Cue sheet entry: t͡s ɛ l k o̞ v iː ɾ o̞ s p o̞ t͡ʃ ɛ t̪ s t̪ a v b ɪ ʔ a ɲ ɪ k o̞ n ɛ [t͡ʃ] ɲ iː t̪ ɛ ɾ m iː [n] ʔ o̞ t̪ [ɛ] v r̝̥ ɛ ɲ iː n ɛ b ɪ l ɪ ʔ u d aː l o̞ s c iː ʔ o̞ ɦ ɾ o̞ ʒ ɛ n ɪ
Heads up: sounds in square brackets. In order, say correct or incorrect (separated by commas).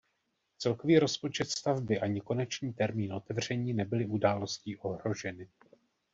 correct, correct, correct